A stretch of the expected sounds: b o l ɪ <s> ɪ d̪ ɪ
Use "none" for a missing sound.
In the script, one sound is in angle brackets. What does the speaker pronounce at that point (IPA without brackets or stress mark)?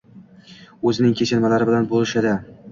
ʃ